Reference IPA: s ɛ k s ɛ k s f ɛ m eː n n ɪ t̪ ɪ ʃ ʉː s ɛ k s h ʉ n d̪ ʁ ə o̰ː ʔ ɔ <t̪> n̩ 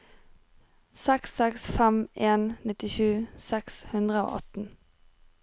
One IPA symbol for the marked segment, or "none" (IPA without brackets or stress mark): t̪